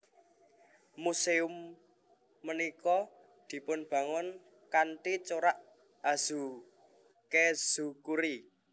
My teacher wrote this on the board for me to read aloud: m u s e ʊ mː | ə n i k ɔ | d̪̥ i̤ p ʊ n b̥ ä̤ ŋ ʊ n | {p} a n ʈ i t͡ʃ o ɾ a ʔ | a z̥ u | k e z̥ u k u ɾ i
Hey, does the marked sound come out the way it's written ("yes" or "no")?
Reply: no